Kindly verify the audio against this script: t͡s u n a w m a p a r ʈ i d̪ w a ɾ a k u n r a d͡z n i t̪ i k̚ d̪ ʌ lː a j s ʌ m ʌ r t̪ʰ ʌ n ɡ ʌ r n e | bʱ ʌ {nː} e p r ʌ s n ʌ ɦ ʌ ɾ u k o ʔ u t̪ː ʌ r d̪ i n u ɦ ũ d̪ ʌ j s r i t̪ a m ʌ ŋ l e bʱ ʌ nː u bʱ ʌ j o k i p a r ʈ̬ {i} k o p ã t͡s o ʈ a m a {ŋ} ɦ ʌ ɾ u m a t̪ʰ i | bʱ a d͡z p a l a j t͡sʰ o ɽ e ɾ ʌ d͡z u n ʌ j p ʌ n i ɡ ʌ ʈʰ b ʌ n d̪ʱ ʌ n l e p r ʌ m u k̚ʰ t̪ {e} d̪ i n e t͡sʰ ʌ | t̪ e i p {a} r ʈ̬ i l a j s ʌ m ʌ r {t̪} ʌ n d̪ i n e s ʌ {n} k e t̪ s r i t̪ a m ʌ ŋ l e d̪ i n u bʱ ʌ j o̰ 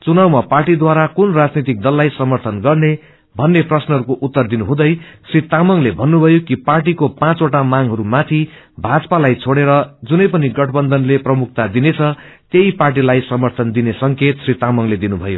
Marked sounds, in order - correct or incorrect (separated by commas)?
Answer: correct, correct, correct, incorrect, correct, incorrect, incorrect